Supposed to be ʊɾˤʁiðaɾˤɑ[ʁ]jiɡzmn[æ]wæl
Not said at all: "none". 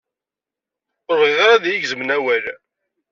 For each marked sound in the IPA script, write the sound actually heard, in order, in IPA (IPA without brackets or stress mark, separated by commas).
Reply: ð, æ